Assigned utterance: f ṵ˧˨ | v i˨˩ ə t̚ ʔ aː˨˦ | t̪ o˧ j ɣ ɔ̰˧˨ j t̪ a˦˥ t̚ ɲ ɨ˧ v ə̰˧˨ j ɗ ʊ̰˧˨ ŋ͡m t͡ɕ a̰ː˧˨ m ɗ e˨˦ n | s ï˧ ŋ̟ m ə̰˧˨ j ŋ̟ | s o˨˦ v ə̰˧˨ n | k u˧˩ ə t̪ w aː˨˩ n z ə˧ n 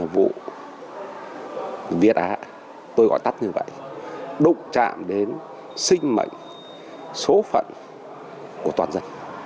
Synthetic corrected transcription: v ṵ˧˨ | v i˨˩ ə t̚ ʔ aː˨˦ | t̪ o˧ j ɣ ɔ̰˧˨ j t̪ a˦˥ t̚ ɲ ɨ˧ v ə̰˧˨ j ɗ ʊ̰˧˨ ŋ͡m t͡ɕ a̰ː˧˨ m ɗ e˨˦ n | s ï˧ ŋ̟ m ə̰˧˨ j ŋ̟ | s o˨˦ f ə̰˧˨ n | k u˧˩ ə t̪ w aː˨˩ n z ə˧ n